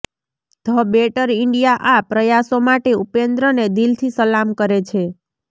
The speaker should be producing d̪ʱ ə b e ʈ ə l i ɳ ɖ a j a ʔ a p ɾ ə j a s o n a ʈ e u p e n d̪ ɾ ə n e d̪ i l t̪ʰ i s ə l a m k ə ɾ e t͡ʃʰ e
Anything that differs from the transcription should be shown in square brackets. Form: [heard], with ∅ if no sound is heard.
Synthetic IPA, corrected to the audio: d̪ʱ ə b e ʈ ə [ɾ] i ɳ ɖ [i] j a ʔ a p ɾ ə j a s o [m] a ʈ e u p e n d̪ ɾ ə n e d̪ i l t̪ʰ i s ə l a m k ə ɾ e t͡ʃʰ e